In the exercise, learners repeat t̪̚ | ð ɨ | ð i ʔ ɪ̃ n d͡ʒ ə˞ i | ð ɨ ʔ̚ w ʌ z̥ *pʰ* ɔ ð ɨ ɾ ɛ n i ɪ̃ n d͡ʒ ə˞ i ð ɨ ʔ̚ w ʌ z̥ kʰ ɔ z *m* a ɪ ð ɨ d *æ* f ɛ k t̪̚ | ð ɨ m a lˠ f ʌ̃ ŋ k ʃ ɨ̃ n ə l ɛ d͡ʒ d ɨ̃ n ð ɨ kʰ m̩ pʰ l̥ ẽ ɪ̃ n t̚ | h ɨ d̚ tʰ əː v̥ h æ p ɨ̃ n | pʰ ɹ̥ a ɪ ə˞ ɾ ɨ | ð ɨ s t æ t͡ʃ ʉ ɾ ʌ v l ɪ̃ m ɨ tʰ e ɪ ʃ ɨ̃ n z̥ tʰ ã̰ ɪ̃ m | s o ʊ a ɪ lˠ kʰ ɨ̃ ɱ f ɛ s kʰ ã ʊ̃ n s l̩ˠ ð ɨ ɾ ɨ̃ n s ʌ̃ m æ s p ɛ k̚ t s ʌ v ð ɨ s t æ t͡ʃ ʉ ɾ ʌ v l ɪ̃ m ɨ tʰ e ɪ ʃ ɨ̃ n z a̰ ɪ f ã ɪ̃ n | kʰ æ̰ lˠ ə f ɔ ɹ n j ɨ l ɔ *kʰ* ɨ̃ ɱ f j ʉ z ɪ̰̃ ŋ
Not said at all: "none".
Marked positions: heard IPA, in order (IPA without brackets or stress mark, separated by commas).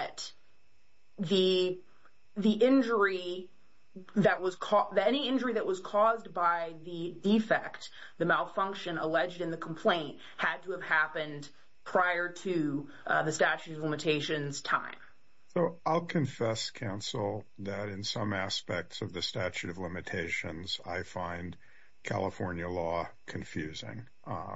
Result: kʰ, b, i, kʰ